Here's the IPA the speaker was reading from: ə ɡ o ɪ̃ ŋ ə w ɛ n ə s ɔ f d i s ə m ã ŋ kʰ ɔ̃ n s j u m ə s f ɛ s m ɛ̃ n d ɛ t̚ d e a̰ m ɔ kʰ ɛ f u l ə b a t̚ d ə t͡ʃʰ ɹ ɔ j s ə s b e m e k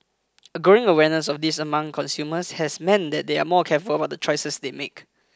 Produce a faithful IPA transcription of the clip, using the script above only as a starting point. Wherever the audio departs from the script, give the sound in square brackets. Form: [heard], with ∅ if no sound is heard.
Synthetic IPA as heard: ə ɡ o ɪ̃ ŋ ə w ɛ n ə s ɔ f d i s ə m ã ŋ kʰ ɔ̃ n s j u m ə s [h] ɛ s m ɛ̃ n d ɛ t̚ d e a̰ m ɔ kʰ ɛ f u l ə b a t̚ d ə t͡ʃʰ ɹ ɔ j s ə s [d] e m e k

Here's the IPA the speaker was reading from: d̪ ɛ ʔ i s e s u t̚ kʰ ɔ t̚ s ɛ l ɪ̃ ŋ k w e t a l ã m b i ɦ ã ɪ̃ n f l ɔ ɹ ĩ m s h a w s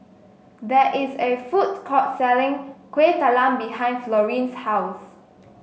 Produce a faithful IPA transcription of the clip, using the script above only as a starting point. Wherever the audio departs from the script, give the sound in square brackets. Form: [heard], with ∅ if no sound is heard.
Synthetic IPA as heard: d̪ ɛ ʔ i s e [f] u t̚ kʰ ɔ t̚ s ɛ l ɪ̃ ŋ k w e t a l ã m b i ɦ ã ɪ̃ n f l ɔ ɹ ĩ [n] s h a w s

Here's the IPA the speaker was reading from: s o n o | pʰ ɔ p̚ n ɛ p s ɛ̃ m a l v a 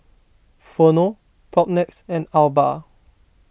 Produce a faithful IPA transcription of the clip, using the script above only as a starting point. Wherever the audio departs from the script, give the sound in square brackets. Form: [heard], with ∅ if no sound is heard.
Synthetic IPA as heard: [f] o n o | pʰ ɔ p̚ n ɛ [k] s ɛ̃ [n] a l [b] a

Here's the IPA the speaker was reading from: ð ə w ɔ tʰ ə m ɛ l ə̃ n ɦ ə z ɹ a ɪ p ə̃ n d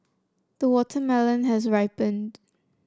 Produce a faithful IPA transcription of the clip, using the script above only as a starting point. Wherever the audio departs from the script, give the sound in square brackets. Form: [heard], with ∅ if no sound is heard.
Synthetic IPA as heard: ð ə w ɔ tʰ ə m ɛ l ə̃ n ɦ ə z ɹ a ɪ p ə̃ n d

